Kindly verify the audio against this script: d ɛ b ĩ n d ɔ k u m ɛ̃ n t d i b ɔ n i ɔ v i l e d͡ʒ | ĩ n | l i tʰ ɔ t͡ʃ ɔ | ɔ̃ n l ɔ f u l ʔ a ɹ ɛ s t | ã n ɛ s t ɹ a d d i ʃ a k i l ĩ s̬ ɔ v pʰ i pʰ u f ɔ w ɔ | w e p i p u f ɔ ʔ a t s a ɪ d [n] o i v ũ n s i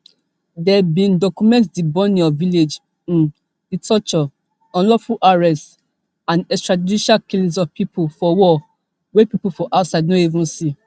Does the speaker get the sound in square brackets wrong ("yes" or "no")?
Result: no